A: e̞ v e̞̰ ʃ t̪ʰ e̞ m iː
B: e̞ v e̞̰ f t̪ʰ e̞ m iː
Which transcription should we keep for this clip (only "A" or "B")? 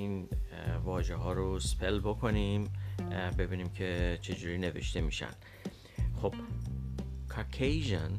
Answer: A